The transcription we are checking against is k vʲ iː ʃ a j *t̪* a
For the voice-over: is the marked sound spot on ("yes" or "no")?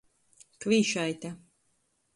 yes